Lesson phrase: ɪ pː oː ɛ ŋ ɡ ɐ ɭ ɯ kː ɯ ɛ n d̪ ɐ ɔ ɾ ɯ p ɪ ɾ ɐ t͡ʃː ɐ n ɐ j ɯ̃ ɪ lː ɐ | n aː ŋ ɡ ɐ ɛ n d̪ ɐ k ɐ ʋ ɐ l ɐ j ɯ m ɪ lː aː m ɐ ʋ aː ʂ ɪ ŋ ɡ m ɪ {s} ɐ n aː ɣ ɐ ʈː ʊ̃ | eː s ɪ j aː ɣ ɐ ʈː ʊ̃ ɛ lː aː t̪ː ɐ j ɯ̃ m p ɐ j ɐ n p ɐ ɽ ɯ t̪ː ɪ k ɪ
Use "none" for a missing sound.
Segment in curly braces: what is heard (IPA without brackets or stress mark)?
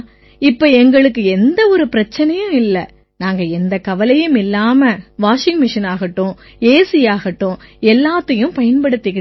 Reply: ʂ